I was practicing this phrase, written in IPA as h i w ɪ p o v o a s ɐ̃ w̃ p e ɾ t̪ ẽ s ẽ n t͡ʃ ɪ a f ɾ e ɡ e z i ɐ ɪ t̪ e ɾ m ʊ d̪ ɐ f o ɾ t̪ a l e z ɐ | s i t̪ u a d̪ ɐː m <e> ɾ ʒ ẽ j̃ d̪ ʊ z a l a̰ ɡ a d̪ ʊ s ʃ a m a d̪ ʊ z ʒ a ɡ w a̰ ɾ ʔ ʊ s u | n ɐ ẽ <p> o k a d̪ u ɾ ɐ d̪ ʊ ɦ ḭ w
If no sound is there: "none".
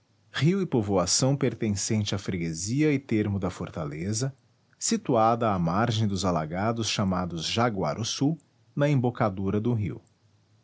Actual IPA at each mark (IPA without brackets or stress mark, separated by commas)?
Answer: a, b